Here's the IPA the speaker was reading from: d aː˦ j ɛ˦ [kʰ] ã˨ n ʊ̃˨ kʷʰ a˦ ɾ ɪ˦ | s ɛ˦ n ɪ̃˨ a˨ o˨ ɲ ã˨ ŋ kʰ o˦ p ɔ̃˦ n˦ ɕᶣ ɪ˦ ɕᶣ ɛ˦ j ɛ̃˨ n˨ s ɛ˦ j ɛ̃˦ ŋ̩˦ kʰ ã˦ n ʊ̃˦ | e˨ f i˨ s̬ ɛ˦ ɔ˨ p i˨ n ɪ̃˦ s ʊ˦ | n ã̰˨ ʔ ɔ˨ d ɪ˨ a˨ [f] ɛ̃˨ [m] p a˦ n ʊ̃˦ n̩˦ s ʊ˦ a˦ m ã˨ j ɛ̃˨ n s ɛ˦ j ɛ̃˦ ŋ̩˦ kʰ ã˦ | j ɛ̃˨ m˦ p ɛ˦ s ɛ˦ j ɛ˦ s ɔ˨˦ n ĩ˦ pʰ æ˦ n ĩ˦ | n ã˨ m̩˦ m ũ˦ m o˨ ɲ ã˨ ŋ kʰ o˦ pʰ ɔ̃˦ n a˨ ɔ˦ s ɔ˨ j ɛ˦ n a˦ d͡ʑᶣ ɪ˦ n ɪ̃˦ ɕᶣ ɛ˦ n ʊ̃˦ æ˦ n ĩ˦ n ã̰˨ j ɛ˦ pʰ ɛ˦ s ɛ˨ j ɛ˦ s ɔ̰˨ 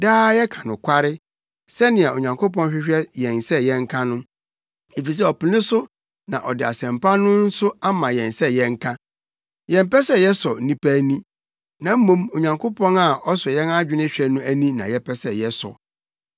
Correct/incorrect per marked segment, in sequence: correct, incorrect, correct

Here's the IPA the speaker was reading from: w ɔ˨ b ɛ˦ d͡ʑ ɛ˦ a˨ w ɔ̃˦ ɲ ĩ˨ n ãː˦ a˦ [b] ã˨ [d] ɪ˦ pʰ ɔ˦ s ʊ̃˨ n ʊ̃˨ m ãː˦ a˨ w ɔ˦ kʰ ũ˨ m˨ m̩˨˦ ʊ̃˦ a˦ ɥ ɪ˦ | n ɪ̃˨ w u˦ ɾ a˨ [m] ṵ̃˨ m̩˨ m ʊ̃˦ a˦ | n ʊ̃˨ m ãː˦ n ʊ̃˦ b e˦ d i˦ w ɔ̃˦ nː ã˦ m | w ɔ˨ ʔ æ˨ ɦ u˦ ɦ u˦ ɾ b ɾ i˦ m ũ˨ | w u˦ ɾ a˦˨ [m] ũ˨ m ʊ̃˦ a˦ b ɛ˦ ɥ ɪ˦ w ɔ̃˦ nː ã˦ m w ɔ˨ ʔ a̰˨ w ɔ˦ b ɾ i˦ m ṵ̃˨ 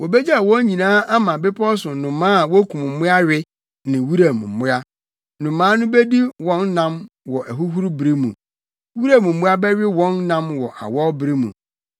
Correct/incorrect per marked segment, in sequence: incorrect, incorrect, correct, correct

